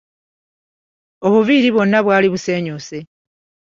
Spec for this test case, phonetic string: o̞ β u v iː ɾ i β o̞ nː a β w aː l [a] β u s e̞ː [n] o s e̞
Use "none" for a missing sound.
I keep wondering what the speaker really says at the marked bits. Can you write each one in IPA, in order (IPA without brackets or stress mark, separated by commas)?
i, ɲ